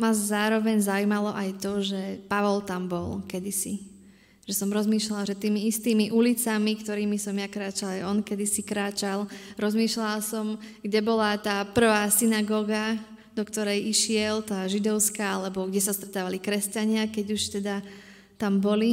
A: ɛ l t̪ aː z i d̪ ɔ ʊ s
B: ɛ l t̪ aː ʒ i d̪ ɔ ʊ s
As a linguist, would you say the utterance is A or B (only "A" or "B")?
B